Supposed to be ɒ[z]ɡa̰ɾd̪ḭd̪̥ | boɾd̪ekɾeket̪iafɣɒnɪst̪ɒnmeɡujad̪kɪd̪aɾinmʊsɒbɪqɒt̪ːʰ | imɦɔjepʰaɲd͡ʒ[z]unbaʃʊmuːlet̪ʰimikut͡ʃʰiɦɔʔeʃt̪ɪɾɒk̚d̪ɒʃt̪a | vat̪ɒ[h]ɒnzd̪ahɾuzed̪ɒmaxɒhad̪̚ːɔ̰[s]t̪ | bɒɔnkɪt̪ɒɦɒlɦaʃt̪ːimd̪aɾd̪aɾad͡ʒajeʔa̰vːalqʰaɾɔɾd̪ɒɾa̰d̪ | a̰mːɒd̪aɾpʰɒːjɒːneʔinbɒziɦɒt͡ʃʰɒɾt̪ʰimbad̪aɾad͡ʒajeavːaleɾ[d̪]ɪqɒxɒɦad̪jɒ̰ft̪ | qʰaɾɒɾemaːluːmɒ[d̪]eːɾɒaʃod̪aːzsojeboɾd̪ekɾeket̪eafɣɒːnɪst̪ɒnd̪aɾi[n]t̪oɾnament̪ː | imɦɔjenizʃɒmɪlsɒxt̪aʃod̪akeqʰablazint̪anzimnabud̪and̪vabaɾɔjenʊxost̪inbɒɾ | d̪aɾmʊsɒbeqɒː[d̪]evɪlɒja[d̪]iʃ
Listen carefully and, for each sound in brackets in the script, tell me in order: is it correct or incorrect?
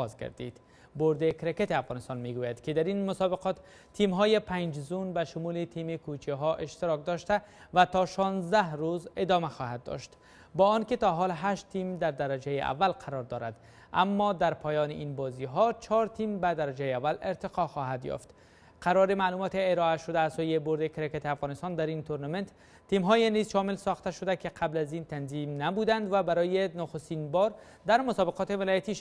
correct, correct, incorrect, incorrect, incorrect, incorrect, correct, incorrect, incorrect

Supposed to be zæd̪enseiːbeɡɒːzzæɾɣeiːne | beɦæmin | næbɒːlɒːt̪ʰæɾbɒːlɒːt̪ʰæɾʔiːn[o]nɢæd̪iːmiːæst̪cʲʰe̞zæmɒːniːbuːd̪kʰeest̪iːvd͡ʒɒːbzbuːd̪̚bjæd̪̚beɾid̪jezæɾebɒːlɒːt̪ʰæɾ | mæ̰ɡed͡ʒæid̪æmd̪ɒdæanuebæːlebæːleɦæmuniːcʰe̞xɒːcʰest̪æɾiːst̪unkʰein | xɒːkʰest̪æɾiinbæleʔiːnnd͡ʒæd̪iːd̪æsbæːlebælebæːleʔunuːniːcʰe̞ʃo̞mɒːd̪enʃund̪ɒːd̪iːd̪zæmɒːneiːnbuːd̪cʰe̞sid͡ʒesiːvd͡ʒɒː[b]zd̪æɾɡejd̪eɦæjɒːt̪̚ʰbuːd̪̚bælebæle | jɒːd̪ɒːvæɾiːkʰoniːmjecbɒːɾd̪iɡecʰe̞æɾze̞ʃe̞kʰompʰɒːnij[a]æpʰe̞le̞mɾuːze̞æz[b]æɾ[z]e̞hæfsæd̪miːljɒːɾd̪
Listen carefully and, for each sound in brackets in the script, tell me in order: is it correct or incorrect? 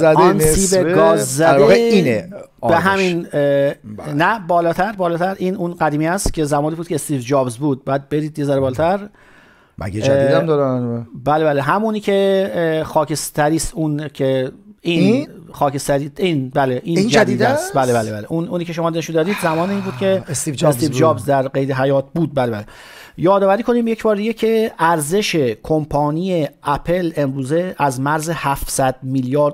incorrect, correct, incorrect, incorrect, correct

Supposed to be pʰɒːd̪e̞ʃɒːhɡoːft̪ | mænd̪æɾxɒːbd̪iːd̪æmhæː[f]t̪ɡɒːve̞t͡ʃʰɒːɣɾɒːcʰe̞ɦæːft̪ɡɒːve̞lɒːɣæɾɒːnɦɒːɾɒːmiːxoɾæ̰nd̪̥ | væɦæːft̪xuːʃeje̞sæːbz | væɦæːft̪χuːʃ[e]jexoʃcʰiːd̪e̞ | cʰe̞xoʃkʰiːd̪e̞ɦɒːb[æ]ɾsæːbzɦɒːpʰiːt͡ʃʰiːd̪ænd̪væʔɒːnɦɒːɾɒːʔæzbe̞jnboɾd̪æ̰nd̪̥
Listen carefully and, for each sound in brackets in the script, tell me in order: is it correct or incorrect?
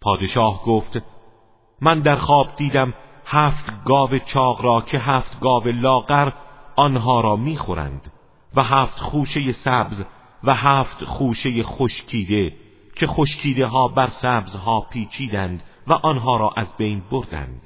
correct, correct, correct

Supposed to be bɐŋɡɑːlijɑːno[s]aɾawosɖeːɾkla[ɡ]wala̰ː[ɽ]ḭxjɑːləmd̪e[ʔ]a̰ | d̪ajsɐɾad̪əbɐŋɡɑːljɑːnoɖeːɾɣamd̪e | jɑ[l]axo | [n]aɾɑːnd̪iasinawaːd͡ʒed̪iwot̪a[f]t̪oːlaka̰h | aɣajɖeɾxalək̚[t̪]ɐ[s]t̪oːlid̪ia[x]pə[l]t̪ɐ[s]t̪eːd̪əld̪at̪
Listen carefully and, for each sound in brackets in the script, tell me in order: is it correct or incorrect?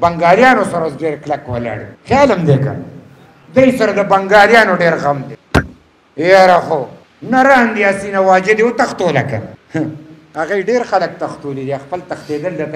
correct, incorrect, correct, incorrect, incorrect, correct, incorrect, correct, incorrect, correct, correct, incorrect

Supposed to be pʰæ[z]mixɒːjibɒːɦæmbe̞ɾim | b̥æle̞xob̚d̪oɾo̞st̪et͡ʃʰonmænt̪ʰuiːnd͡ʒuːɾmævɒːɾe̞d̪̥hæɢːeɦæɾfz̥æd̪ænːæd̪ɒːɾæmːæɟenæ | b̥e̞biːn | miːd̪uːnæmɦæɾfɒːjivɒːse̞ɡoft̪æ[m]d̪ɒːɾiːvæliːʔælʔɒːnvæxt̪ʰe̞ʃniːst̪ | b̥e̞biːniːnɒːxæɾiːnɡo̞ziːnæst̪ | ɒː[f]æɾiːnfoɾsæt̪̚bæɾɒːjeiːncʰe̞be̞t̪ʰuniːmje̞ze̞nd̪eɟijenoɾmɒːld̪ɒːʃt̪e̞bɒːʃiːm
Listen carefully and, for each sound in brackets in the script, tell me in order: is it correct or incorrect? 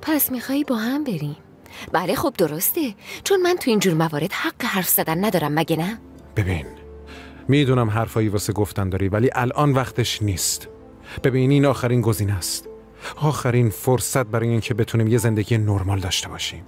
incorrect, incorrect, incorrect

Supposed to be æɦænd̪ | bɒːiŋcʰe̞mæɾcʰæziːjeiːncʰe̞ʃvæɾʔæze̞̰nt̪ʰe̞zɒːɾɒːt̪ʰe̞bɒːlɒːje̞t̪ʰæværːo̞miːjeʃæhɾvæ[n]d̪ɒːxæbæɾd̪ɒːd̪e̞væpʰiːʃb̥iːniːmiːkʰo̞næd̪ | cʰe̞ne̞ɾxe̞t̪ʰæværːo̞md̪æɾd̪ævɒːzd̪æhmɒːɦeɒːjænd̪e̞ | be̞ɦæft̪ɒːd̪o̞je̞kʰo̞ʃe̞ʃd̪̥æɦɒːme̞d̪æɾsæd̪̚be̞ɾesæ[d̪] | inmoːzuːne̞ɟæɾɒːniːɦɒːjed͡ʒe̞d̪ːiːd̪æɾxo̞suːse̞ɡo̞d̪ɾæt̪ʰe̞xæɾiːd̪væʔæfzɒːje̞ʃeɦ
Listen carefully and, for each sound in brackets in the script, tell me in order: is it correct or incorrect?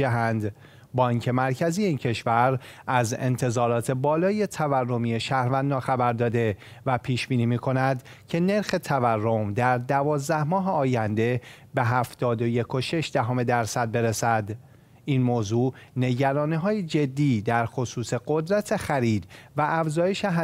correct, correct

